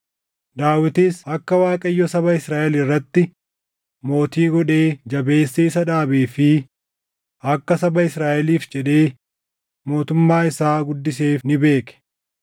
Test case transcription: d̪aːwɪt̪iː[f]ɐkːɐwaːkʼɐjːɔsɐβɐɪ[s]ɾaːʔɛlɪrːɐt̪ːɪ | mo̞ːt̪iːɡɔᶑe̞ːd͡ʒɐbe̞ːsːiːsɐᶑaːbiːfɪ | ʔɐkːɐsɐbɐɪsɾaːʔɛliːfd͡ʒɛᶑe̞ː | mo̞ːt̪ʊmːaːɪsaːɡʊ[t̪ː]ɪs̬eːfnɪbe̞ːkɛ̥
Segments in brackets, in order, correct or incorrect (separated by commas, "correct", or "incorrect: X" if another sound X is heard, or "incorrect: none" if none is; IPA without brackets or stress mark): incorrect: s, correct, incorrect: d̪ː